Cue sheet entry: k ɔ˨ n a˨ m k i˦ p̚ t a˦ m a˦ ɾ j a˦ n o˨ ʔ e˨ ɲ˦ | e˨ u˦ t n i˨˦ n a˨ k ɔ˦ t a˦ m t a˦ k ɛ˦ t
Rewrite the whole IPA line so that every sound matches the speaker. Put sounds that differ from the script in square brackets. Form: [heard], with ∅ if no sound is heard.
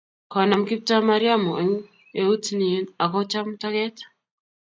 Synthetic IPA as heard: k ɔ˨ n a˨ m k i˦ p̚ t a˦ m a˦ ɾ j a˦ [m] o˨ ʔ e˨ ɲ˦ | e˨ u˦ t n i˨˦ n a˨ k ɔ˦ [t͡ʃ] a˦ m t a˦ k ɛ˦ t